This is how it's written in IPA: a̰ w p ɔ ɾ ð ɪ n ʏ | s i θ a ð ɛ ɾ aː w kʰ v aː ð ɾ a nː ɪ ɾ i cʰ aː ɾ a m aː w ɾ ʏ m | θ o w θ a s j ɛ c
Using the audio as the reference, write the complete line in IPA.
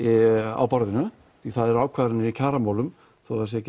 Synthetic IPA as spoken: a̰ w p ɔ ɾ ð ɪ n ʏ | θ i θ a ð ɛ ɾ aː w kʰ v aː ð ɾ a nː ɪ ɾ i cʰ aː ɾ a m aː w l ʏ m | θ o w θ a s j ɛ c